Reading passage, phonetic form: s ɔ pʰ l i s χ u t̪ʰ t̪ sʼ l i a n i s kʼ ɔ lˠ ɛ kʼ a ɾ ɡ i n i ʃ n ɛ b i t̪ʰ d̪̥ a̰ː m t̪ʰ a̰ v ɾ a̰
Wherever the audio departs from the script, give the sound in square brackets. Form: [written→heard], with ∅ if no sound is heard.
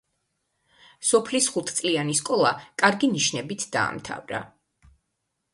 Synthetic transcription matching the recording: s ɔ pʰ l i s χ u t̪ʰ t̪ sʼ l i a n i s kʼ ɔ lˠ [ɛ→a] kʼ a ɾ ɡ i n i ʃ n ɛ b i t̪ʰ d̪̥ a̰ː m t̪ʰ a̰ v ɾ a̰